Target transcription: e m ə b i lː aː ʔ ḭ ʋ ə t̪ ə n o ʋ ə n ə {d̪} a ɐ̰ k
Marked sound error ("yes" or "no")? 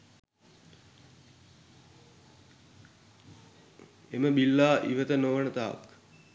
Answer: yes